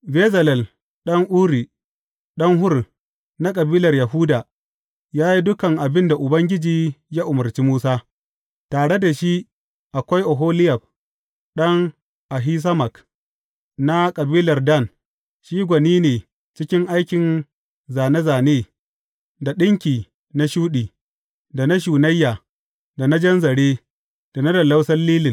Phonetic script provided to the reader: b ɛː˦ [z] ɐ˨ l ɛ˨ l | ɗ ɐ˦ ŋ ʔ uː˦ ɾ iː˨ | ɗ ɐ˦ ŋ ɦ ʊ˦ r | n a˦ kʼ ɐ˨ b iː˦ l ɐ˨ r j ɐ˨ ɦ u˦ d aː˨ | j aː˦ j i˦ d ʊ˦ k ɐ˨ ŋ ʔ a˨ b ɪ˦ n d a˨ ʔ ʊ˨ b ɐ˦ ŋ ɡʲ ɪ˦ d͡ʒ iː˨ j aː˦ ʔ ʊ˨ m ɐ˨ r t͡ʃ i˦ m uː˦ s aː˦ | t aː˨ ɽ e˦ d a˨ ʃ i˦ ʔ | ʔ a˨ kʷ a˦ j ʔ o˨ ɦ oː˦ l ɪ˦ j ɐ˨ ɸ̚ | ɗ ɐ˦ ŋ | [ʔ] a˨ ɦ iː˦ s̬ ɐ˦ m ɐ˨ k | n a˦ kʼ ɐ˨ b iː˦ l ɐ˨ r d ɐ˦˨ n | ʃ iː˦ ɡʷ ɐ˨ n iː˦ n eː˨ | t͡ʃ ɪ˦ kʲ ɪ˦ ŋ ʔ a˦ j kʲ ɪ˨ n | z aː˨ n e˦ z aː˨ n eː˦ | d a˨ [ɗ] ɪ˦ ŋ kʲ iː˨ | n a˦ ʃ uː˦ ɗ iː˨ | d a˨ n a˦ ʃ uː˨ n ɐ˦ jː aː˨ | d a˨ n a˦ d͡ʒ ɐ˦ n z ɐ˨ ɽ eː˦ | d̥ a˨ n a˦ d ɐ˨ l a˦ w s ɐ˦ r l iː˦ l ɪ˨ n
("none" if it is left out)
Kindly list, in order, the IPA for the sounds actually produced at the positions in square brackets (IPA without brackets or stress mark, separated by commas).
z, ʔ, ɗ